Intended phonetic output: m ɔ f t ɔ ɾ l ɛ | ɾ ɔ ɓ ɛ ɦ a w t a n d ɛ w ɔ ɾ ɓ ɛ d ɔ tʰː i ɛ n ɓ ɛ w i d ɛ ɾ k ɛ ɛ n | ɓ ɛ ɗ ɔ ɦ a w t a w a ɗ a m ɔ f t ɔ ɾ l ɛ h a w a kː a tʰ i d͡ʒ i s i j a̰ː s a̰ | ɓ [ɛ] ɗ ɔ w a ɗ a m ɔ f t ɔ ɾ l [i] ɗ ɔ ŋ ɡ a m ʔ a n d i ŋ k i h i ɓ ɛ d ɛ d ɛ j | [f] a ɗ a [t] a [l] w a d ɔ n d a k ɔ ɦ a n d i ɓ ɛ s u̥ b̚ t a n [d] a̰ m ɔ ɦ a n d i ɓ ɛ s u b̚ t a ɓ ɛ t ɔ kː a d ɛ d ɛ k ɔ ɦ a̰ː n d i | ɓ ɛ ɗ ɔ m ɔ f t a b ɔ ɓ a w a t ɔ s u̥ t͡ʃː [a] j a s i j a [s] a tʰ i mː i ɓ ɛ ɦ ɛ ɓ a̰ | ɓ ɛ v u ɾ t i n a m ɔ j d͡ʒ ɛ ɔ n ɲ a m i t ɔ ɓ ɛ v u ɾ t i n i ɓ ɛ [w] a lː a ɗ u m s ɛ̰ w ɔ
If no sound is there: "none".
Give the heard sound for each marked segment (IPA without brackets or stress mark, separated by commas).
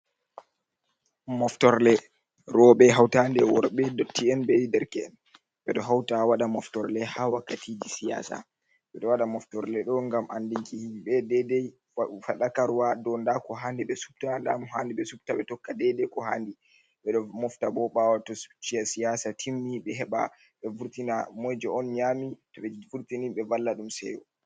ɛ, ɛ, f, k, ɾ, d, i, s, v